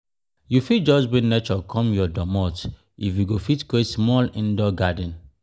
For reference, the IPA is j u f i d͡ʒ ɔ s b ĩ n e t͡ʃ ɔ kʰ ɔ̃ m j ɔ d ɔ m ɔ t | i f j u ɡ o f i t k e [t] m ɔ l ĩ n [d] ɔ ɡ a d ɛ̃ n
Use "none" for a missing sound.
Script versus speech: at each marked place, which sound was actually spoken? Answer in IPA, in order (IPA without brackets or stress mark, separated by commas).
s, d